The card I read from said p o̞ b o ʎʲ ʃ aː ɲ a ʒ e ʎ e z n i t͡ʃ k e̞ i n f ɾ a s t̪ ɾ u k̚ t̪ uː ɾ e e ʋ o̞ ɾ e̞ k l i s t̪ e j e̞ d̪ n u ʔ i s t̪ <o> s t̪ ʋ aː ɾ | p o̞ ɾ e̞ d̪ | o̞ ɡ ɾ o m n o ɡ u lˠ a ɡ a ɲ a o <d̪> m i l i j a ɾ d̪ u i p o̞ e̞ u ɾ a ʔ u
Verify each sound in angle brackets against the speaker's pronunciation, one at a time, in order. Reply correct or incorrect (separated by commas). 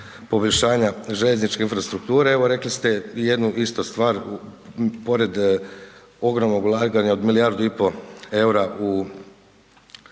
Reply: correct, correct